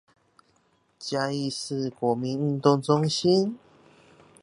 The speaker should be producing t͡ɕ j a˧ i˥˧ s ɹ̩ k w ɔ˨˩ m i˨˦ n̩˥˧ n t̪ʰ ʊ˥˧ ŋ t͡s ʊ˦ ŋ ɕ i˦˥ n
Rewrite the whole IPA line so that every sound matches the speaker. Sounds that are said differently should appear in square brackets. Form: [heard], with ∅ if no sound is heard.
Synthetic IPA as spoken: t͡ɕ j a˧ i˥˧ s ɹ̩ k w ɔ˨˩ m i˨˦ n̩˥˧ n [t̪] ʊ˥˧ ŋ t͡s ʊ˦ ŋ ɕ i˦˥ n